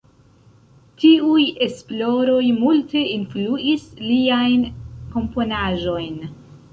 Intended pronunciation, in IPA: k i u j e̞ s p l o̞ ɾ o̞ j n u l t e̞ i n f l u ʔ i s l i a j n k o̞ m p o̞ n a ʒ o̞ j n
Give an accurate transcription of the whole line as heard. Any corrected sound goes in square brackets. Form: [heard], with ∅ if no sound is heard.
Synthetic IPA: [t] i u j e̞ s p l o̞ ɾ o̞ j [m] u l t e̞ i n f l u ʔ i s l i a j n k o̞ m p o̞ n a ʒ o̞ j n

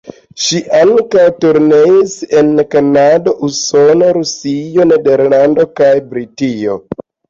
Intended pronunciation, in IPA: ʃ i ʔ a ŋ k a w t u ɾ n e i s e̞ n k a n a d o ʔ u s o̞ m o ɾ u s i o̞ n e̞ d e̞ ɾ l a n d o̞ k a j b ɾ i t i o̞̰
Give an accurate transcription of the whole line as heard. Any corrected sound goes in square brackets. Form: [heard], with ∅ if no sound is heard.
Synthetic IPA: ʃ i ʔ a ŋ k a w t u ɾ n e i s e̞ n k a n a d o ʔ u s o̞ [n] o ɾ u s i o̞ n e̞ d e̞ ɾ l a n d o̞ k a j b ɾ i t i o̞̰

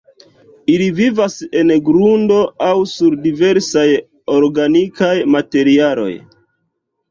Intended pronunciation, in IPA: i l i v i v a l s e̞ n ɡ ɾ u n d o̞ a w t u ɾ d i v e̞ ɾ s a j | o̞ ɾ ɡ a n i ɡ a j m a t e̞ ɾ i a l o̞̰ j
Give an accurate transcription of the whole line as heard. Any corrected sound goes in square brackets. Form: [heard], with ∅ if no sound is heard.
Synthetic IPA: i l i v i v a [∅] s e̞ n ɡ ɾ u n d o̞ a w [s] u ɾ d i v e̞ ɾ s a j | o̞ ɾ ɡ a n i [k] a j m a t e̞ ɾ i a l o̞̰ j

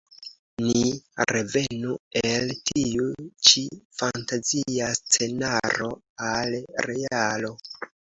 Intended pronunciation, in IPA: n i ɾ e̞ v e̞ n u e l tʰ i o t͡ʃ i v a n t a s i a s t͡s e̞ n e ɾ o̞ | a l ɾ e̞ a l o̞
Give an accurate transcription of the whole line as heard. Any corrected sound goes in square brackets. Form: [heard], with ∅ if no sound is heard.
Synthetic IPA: n i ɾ e̞ v e̞ n u e l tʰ i [u] t͡ʃ i [f] a n t a [z] i a s t͡s e̞ n [a] ɾ o̞ | a l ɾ e̞ a l o̞

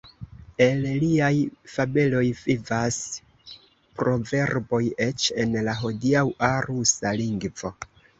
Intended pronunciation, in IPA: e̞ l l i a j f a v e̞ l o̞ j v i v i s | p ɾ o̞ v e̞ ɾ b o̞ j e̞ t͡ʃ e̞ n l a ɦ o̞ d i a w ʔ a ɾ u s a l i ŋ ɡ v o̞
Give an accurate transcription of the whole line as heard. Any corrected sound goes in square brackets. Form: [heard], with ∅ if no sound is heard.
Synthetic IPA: e̞ l l i a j f a [b] e̞ l o̞ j v i v [a] s | p ɾ o̞ v e̞ ɾ b o̞ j e̞ t͡ʃ e̞ n l a ɦ o̞ d i a w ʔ a ɾ u s a l i ŋ ɡ v o̞

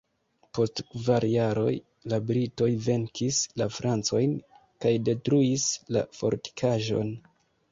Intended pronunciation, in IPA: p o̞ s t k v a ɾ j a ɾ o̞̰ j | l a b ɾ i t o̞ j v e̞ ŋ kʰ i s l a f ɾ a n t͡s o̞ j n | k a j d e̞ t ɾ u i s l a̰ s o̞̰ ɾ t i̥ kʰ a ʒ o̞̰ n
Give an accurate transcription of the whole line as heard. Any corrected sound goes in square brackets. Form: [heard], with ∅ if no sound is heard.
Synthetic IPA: p o̞ s t k v a ɾ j a ɾ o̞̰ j | l a b ɾ i t o̞ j v e̞ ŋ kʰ i s l a f ɾ a n t͡s o̞ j n | k a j d e̞ t ɾ u i s l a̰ [f] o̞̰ ɾ t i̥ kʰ a ʒ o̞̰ n

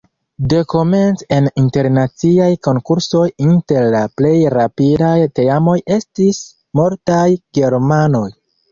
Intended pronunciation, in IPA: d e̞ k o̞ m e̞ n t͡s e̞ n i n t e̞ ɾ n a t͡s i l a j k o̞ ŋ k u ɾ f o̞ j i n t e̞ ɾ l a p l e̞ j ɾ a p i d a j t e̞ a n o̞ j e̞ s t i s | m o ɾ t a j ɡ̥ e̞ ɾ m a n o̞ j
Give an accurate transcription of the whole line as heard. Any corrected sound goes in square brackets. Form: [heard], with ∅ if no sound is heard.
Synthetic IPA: d e̞ k o̞ m e̞ n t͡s e̞ n i n t e̞ ɾ n a t͡s i [∅] a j k o̞ ŋ k u ɾ [s] o̞ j i n t e̞ ɾ l a p l e̞ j ɾ a p i d a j t e̞ a [m] o̞ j e̞ s t i s | m o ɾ t a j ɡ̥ e̞ ɾ m a n o̞ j

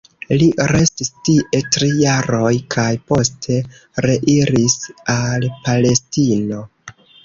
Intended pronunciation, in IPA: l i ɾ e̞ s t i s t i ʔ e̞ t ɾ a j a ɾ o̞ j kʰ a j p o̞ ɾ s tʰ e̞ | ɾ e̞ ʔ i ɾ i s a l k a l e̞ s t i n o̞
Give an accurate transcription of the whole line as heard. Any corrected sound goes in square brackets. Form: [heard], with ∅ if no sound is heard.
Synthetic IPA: l i ɾ e̞ s t i s t i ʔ e̞ t ɾ [i] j a ɾ o̞ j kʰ a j p o̞ [∅] s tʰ e̞ | ɾ e̞ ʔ i ɾ i s a l [p] a l e̞ s t i n o̞

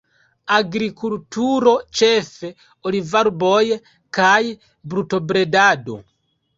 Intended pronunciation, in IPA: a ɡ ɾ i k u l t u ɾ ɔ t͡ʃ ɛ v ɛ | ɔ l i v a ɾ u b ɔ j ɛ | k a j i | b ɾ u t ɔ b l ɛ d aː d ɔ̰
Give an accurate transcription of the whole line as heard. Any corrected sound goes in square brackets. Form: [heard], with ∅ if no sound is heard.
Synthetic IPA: a ɡ ɾ i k u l t u ɾ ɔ t͡ʃ ɛ [f] ɛ | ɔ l i v a ɾ u b ɔ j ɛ | k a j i | b ɾ u t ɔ b [ɾ] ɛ d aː d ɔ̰

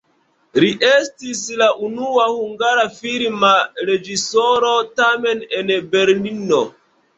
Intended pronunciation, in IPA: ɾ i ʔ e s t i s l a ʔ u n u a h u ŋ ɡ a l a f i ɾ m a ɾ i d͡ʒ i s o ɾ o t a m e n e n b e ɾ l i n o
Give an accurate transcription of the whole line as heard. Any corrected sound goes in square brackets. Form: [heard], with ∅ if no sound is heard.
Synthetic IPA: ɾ i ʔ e s t i s l a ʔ u n u a h u ŋ ɡ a [ɾ] a f i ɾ m a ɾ [e] d͡ʒ i s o ɾ o t a m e n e n b e ɾ l i n o

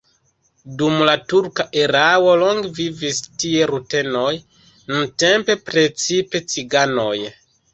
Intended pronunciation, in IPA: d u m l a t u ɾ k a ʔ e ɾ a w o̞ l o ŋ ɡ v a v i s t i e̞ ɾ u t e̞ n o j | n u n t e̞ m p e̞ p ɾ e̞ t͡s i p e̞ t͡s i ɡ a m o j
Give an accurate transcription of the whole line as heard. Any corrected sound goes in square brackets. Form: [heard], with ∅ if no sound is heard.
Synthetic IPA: d u m l a t u ɾ k a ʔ e ɾ a w o̞ l o ŋ ɡ v [i] v i s t i e̞ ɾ u t e̞ n o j | n u n t e̞ m p e̞ p ɾ e̞ t͡s i p e̞ t͡s i ɡ a [n] o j

